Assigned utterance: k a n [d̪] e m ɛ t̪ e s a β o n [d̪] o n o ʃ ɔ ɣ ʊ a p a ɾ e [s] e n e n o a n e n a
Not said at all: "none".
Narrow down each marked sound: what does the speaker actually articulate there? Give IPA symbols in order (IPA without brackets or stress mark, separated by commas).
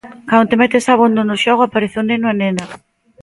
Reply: t̪, d̪, θ